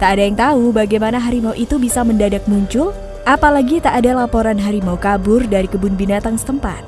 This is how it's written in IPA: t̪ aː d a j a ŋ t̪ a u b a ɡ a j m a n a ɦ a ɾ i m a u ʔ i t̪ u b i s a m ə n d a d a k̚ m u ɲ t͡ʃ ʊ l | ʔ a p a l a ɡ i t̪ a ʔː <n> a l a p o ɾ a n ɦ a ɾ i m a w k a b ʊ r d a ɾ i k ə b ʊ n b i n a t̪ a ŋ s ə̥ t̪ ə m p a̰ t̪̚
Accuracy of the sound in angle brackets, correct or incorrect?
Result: incorrect